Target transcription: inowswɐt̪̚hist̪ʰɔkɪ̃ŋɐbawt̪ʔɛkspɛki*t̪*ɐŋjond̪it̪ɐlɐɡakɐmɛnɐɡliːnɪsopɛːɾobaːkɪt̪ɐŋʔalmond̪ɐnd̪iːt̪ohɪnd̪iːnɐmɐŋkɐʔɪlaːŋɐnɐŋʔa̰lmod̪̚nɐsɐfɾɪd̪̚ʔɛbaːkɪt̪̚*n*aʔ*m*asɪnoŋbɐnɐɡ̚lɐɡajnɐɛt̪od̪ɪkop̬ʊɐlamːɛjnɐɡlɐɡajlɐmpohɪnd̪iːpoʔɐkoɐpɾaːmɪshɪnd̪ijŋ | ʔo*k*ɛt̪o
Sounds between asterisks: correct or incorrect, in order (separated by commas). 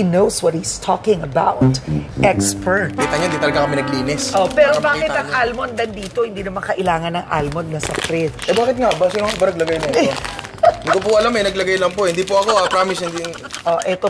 correct, incorrect, incorrect, incorrect